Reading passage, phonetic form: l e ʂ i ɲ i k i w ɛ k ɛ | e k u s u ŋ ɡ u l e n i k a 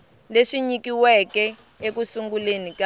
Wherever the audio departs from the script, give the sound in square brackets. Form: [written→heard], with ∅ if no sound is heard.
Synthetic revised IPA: l e ʂ i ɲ i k i w ɛ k ɛ | e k u s u ŋ ɡ u l e n i k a